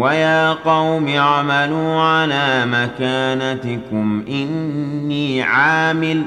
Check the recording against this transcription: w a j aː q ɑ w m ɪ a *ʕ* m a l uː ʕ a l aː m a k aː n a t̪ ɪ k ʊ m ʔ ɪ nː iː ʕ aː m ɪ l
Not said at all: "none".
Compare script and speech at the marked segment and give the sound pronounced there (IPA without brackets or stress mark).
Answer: ʕ